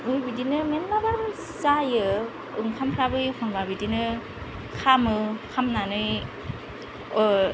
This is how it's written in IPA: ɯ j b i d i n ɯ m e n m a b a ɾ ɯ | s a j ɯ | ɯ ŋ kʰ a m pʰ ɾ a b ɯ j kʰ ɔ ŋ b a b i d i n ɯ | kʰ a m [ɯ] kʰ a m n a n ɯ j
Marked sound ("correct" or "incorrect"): correct